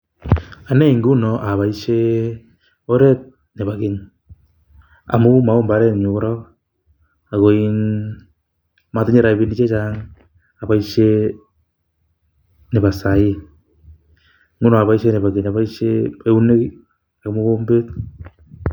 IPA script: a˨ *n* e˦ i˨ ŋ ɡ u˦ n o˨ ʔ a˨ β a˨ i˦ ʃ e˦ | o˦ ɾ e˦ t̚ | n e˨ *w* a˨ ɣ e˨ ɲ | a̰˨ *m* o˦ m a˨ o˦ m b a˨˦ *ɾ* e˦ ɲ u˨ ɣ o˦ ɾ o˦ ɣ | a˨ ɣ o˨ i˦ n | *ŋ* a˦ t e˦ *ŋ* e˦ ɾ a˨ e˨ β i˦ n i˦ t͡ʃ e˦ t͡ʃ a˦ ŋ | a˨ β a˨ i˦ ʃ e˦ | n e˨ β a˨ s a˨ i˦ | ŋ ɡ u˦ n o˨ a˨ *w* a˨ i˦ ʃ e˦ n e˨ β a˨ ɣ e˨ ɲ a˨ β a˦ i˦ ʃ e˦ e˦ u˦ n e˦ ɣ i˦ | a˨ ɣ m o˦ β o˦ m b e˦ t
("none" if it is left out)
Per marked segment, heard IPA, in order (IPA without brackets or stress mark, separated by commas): n, β, m, ɾ, m, ɲ, β